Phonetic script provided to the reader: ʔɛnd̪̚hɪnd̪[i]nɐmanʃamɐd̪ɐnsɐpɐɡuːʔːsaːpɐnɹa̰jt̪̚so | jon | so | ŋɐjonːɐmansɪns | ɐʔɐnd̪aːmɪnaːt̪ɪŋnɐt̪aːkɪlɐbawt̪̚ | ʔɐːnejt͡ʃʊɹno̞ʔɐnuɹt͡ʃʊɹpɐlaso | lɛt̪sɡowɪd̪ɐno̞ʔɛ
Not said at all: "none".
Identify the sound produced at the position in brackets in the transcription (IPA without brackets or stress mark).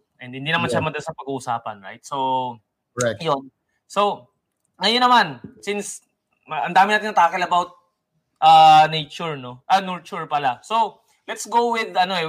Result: i